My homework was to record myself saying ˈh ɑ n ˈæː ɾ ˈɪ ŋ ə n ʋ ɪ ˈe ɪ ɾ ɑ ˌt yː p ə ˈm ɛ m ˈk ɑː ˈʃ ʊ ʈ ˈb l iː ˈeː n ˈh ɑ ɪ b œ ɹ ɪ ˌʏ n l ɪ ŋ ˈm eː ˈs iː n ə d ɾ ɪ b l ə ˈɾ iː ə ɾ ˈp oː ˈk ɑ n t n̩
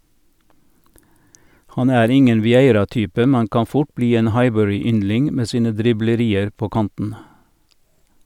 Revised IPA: ˈh ɑ n ˈæː ɾ ˈɪ ŋ ə n ʋ ɪ ˈe ɪ ɾ ɑ ˌt yː p ə ˈm ɛ n ˈk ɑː ˈf ʊ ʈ ˈb l iː ˈeː n ˈh ɑ ɪ b œ ɹ ɪ ˌʏ n l ɪ ŋ ˈm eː ˈs iː n ə d ɾ ɪ b l ə ˈɾ iː ə ɾ ˈp oː ˈk ɑ n t n̩

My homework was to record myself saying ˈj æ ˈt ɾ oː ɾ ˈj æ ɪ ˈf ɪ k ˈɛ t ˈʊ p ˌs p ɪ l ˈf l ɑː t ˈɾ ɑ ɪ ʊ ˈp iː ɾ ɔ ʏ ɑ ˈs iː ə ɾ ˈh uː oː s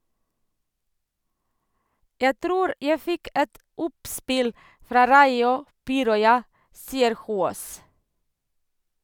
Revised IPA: ˈj æ ˈt ɾ uː ɾ ˈj æ ɪ ˈf ɪ k ˈɛ t ˈʊ p ˌs p ɪ l ˈf ɾ ɑː ˈɾ ɑ ɪ ʊ ˈp iː ɾ ɔ ʏ ɑ ˈs iː ə ɾ ˈh uː oː s

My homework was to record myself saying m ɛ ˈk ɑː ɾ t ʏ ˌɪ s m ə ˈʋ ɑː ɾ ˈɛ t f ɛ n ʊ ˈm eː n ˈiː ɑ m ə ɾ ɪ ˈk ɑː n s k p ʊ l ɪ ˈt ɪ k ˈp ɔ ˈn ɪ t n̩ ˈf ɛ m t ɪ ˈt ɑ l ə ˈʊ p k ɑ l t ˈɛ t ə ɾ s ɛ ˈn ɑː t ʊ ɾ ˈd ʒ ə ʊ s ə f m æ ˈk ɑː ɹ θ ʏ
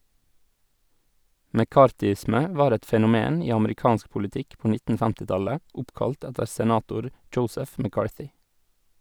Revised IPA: m ɛ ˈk ɑː ɾ t ʏ ˌɪ s m ə ˈʋ ɑː ɾ ˈɛ t f ɛ n ʊ ˈm eː n ˈiː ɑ m ə ɾ ɪ ˈk ɑː n s k p ʊ l ɪ ˈt ɪ k ˈp ɔ ˈn ɪ t n̩ ˈf ɛ m t ɪ ˈt ɑ l ə ˈʊ p k ɑ l t ˈɛ t ə ɾ s ɛ ˈn ɑː t ʊ ɾ ˈd ʒ ə ʊ s ə f m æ ˈk ɑː ɹ θ ʏ

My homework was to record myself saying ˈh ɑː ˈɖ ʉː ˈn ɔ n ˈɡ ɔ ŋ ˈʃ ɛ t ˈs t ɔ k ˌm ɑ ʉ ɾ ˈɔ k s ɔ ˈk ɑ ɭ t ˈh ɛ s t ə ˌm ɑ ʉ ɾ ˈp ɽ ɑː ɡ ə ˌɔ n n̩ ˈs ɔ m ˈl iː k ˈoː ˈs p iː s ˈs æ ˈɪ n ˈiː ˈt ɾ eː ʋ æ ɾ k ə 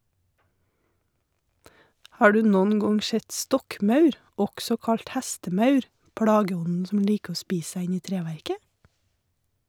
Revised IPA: ˈh ɑː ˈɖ ʉː ˈn ɔ n ˈɡ ɔ ŋ ˈʃ ɛ t ˈs t ɔ k ˌm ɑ ʉ ɾ ˈɔ k s ɔ ˈk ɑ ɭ t ˈh ɛ s t ə ˌm ɑ ʉ ɾ ˈp ɽ ɑː ɡ ə ˌɔ n n̩ ˈs ɔ m ˈl iː k ˈoː ˈs p iː s ˈs æ ˈɪ n ˈiː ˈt ɾ eː ʋ æ ɾ k ə

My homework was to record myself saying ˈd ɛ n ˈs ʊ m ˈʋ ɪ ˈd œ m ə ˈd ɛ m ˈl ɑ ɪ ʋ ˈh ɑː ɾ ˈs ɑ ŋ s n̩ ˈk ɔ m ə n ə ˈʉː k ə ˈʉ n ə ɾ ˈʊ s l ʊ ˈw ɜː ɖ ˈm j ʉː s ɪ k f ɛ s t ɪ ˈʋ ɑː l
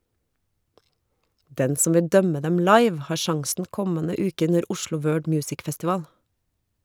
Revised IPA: ˈd ɛ n ˈs ʊ m ˈʋ ɪ ˈd œ m ə ˈd ɛ m ˈl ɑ ɪ ʋ ˈh ɑː ɾ ˈʃ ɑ ŋ s n̩ ˈk ɔ m ə n ə ˈʉː k ə ˈʉ n ə ɾ ˈʊ ʃ l ʊ ˈw ɜː ɖ ˈm j ʉː s ɪ k f ɛ s t ɪ ˈʋ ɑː l

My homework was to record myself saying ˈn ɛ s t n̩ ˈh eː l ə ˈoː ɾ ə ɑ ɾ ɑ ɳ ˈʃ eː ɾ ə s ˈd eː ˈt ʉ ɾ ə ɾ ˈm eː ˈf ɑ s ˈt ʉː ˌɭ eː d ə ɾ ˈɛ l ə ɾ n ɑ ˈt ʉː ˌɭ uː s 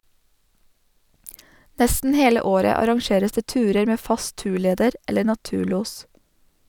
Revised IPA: ˈn ɛ s t n̩ ˈh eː l ə ˈoː ɾ ə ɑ ɾ ɑ ŋ ˈʃ eː ɾ ə s ˈd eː ˈt ʉː ɾ ə ɾ ˈm eː ˈf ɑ s ˈt ʉː ˌɭ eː d ə ɾ ˈɛ l ə ɾ n ɑ ˈt ʉː ˌɭ uː s

